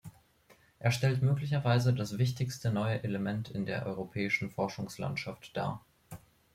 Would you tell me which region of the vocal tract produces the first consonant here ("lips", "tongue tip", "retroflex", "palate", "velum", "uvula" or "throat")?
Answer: throat